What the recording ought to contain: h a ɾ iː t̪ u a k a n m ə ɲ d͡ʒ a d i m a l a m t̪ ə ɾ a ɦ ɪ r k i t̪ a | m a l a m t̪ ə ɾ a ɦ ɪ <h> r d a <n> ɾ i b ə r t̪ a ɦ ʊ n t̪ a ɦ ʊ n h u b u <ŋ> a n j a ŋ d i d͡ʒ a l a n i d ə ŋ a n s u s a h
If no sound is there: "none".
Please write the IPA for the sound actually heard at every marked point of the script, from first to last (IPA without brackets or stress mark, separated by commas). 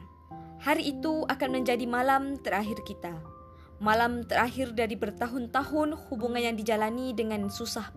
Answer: none, none, ŋ